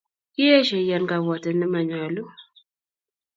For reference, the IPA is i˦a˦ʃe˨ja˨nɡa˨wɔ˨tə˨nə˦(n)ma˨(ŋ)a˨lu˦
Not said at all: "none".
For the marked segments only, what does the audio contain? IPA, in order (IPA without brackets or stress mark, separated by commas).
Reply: none, ɲ